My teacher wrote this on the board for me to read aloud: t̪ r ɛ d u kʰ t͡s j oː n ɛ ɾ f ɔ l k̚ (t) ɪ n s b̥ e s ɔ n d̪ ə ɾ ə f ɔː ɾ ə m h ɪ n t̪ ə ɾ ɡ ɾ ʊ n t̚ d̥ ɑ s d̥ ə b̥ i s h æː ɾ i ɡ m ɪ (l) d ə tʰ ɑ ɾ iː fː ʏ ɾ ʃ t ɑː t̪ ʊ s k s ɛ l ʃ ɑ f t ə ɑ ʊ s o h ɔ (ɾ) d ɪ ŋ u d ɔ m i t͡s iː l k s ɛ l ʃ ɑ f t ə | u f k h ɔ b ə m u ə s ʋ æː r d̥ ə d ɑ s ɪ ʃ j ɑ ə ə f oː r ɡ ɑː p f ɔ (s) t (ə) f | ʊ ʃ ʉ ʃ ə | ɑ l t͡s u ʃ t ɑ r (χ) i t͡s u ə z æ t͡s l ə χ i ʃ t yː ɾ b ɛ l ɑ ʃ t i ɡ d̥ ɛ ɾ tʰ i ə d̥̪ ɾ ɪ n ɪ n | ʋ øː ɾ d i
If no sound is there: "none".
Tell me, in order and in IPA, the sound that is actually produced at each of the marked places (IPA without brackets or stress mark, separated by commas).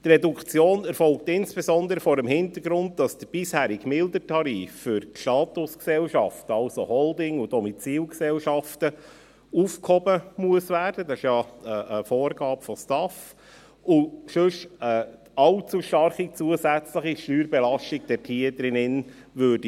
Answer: t, l, l, s, ɑ, χ